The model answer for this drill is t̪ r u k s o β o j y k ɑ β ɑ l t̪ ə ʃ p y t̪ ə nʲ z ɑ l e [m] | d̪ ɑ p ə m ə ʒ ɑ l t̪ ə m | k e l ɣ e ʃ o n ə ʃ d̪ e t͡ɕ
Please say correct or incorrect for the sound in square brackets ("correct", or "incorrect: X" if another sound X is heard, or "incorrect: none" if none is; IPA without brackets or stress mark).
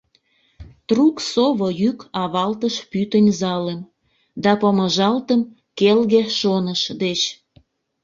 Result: correct